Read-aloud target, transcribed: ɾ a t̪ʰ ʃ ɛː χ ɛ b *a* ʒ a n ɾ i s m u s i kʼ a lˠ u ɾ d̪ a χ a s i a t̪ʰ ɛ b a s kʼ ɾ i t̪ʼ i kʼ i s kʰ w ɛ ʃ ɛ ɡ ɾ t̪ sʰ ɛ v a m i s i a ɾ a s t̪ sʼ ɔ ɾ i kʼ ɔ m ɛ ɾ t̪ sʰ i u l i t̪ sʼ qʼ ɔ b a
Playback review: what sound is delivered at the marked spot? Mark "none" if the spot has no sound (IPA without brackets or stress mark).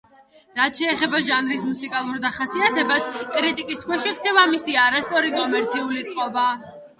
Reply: a